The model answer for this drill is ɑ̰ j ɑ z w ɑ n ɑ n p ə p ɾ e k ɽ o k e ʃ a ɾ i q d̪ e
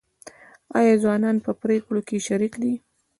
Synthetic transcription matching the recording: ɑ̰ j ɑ z w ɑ n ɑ n p ə p ɾ e k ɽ o k e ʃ a ɾ i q d̪ i